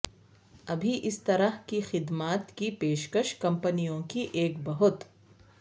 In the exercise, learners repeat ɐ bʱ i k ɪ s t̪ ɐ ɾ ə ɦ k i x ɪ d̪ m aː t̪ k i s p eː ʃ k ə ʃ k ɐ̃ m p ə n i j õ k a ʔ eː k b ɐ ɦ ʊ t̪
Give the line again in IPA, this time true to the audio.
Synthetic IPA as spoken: ɐ bʱ i ʔ ɪ s t̪ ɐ ɾ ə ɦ k i x ɪ d̪ m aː t̪ k i p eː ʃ k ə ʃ k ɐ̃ m p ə n i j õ k i ʔ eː k b ɐ ɦ ʊ t̪